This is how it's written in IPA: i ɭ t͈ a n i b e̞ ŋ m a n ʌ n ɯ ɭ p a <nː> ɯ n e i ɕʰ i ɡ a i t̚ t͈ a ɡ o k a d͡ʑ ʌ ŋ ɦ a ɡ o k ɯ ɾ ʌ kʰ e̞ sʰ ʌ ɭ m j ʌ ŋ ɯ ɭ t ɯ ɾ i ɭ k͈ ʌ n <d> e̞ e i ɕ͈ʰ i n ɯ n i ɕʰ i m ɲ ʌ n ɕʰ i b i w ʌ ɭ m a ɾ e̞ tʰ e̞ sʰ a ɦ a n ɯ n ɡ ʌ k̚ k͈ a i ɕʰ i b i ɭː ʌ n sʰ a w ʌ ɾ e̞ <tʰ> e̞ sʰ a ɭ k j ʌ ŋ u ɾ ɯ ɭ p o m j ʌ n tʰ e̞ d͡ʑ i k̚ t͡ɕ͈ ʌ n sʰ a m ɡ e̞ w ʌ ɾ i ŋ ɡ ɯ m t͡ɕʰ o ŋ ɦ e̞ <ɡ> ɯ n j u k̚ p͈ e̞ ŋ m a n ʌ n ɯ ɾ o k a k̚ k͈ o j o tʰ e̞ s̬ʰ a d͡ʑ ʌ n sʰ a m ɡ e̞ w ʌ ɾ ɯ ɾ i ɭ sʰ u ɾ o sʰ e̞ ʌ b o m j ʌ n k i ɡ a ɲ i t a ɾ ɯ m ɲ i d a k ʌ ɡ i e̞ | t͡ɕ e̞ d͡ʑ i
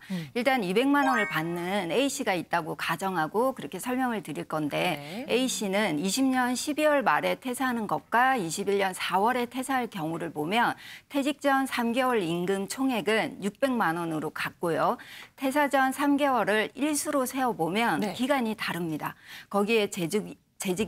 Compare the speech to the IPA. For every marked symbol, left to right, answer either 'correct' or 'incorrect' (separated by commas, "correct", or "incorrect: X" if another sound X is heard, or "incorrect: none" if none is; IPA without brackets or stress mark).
correct, correct, correct, correct